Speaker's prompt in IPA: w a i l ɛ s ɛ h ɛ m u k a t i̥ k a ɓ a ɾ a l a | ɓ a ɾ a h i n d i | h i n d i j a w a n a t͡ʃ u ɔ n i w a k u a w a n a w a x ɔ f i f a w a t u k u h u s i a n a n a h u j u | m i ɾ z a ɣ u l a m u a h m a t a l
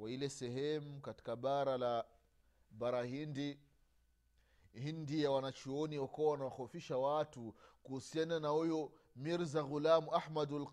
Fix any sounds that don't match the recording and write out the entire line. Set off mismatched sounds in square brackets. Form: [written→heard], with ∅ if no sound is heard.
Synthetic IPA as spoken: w a i l ɛ s ɛ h ɛ m u k a t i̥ k a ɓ a ɾ a l a | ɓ a ɾ a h i n d i | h i n d i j a w a n a t͡ʃ u ɔ n i w a k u a w a n a w a x ɔ f i [f→ʃ] a w a t u k u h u s i a n a n a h u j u | m i ɾ z a ɣ u l a m u a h m a [t→d] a l